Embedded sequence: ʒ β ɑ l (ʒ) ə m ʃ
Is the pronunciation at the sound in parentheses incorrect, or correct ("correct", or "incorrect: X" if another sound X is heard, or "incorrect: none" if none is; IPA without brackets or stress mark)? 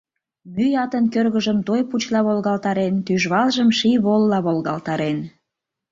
correct